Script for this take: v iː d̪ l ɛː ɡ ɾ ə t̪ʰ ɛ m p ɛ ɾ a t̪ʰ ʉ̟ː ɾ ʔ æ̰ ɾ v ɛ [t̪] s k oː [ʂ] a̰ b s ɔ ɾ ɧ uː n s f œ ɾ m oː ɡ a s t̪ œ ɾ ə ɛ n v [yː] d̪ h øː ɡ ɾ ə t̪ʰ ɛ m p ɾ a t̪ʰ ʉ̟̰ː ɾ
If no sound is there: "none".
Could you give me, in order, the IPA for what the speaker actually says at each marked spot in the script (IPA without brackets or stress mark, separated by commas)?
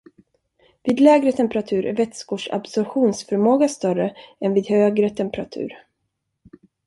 t̪, ʂ, iː